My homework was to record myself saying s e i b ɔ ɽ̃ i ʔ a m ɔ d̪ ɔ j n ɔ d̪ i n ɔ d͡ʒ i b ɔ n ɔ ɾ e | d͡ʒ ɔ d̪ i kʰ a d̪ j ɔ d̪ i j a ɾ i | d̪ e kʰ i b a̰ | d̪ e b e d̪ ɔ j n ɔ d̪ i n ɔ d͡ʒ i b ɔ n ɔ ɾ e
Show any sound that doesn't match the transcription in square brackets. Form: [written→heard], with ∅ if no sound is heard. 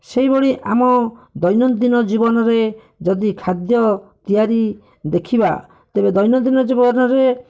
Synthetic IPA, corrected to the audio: s e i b ɔ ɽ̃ i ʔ a m ɔ d̪ ɔ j n ɔ d̪ i n ɔ d͡ʒ i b ɔ n ɔ ɾ e | d͡ʒ ɔ d̪ i kʰ a d̪ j ɔ [d̪→t̪] i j a ɾ i | d̪ e kʰ i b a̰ | [d̪→t̪] e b e d̪ ɔ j n ɔ d̪ i n ɔ d͡ʒ i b ɔ n ɔ ɾ e